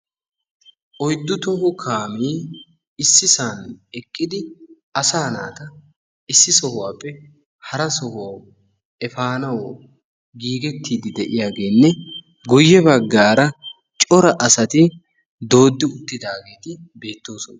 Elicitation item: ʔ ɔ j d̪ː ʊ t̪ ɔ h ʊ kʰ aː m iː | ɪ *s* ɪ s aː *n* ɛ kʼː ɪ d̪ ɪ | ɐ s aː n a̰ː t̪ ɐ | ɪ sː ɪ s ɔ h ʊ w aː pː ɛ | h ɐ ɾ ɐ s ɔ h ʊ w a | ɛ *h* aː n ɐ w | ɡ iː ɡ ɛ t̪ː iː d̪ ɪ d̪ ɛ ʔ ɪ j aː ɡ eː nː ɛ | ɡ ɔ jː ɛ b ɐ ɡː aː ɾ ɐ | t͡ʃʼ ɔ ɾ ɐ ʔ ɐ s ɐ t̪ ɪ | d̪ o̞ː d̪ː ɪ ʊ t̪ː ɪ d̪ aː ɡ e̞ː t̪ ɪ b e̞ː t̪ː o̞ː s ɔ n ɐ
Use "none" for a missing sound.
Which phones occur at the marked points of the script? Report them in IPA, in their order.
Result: sː, n, f

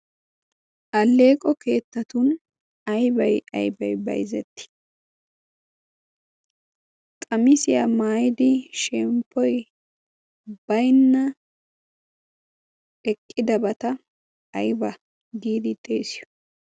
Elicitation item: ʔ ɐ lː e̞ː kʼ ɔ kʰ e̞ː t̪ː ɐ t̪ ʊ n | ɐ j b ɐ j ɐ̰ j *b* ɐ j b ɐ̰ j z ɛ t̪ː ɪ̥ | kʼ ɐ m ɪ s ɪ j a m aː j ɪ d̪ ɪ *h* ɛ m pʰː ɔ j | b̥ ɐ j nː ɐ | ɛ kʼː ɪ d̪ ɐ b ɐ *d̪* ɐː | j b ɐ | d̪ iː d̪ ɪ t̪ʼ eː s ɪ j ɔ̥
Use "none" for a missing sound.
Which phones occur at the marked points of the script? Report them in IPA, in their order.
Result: b, ʃ, t̪

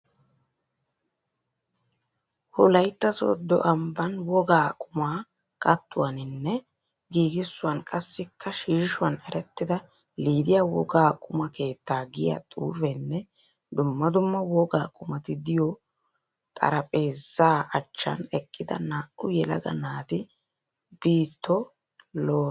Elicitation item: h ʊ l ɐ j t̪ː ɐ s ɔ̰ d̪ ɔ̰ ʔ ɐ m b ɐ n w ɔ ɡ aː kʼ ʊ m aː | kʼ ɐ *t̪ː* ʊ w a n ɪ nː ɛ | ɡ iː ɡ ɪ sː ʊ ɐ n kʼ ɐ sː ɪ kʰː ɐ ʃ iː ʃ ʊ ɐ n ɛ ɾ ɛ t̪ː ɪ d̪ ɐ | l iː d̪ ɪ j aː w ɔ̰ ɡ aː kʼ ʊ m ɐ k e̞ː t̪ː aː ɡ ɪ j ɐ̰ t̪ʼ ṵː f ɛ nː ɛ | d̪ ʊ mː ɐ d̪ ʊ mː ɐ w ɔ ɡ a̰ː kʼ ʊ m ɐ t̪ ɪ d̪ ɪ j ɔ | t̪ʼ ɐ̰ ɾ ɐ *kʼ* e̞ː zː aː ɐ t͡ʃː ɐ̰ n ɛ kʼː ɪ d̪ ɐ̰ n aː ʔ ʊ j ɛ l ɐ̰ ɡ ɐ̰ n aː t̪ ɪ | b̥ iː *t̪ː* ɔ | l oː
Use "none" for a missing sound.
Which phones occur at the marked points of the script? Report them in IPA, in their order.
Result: t̪ː, pʼ, t̪ː

